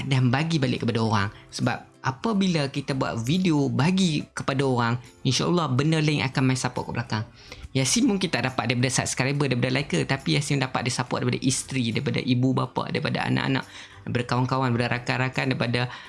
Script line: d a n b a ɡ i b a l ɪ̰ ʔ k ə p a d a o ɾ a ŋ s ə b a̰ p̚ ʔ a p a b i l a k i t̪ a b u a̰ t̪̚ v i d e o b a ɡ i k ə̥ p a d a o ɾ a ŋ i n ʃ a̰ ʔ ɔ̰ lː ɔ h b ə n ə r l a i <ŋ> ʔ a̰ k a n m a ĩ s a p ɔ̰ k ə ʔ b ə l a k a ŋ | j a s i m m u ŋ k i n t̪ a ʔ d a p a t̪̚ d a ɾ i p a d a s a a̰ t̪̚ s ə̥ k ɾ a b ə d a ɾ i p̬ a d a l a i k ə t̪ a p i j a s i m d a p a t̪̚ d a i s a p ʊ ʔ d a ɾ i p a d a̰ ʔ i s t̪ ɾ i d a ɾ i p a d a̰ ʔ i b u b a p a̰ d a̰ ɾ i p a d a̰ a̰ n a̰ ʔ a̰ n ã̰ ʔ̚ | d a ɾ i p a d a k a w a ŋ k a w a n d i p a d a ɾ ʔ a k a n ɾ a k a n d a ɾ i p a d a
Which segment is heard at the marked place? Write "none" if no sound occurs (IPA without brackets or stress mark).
ŋ